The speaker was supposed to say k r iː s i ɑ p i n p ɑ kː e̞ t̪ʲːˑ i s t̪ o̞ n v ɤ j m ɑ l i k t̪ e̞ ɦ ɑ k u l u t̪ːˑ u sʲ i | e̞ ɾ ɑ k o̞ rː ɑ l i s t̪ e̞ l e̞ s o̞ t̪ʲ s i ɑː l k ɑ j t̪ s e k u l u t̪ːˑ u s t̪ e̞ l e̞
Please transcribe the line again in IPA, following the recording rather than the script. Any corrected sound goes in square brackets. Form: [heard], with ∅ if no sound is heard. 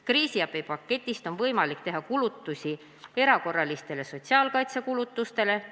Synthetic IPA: k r iː s i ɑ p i [∅] p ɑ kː e̞ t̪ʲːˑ i s t̪ o̞ n v ɤ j m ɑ l i k t̪ e̞ ɦ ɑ k u l u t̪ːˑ u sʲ i | e̞ ɾ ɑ k o̞ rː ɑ l i s t̪ e̞ l e̞ s o̞ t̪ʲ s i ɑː l k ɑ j t̪ s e k u l u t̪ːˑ u s t̪ e̞ l e̞